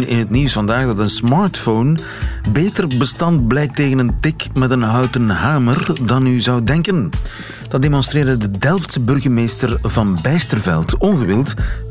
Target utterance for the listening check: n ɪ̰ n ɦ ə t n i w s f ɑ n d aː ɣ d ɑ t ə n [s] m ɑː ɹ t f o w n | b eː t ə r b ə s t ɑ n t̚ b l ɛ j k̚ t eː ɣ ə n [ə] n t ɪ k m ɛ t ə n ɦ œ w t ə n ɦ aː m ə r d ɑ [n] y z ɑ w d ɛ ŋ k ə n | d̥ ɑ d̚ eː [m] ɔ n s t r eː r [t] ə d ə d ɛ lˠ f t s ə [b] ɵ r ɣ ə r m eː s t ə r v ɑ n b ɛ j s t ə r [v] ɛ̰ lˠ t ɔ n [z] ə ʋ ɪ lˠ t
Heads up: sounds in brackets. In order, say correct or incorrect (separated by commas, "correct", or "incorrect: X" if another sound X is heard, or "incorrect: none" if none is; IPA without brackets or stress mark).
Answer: correct, correct, correct, correct, incorrect: d, correct, correct, incorrect: ɣ